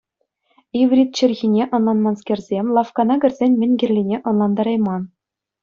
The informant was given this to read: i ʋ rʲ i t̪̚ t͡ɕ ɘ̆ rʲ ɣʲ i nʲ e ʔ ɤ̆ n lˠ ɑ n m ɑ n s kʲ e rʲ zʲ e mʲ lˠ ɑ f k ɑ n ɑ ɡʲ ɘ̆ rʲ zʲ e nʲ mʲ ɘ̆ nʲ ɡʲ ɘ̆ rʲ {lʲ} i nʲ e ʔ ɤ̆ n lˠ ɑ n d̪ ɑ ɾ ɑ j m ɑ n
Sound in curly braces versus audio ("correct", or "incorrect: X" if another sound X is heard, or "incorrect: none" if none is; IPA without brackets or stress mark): correct